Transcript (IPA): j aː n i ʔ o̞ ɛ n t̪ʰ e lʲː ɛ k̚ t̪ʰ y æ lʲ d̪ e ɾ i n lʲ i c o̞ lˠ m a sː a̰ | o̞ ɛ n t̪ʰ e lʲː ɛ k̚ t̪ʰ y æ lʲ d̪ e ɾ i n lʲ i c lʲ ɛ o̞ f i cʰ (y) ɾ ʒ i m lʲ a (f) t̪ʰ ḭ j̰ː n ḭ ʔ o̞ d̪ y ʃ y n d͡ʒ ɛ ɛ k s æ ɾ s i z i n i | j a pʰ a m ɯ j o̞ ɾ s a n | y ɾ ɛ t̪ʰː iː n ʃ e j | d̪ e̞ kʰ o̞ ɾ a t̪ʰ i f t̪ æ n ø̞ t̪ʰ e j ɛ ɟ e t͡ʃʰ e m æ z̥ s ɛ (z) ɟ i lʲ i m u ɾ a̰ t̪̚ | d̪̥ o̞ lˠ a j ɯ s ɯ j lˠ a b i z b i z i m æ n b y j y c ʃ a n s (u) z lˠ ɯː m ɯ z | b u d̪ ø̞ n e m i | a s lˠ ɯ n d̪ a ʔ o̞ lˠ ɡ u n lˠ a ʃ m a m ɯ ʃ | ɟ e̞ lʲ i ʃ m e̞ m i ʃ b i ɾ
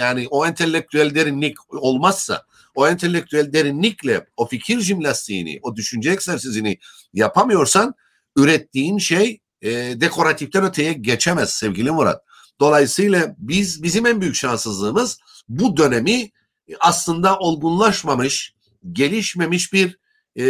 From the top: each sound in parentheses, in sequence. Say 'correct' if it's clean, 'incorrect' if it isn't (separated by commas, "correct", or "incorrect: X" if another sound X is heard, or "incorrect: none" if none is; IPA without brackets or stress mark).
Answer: incorrect: i, incorrect: s, incorrect: v, incorrect: ɯ